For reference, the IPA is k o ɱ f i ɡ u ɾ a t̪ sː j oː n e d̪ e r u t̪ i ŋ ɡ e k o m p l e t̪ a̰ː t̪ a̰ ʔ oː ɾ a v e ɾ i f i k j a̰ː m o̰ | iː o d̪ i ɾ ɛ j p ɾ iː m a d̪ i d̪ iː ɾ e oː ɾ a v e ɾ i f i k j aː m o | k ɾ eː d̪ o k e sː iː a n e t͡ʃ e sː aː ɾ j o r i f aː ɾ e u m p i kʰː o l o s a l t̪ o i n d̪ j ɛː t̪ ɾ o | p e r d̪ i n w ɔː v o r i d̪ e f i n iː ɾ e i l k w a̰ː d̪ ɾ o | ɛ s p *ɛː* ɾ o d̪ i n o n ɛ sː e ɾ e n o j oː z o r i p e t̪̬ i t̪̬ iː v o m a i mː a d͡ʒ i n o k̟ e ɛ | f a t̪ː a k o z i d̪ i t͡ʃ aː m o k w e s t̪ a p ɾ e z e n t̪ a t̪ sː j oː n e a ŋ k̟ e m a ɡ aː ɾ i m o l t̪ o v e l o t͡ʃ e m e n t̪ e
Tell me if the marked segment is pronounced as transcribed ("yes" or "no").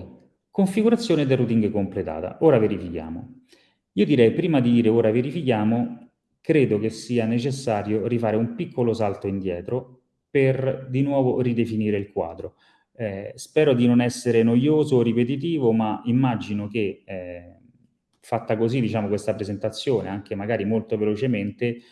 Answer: yes